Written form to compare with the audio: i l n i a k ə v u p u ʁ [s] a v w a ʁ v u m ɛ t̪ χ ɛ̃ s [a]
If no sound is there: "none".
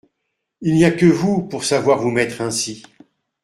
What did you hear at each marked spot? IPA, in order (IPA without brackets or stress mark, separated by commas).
s, i